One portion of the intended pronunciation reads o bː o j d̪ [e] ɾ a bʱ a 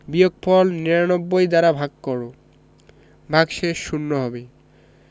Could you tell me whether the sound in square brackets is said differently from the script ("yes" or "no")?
yes